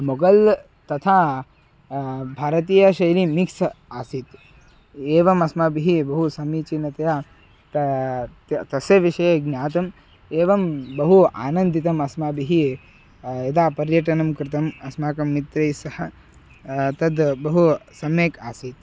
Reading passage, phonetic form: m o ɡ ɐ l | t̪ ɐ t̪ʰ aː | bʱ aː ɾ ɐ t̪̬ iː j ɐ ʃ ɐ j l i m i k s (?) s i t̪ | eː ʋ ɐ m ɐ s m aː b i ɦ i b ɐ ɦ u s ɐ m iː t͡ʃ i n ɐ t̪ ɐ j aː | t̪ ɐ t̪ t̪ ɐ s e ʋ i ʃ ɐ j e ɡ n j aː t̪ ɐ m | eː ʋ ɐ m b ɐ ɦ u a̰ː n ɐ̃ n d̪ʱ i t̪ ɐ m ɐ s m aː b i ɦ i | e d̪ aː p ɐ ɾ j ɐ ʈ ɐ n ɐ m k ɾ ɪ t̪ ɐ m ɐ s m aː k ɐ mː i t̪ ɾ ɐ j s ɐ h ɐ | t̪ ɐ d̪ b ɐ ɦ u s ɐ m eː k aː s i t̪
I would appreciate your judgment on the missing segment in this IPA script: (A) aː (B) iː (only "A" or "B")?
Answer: A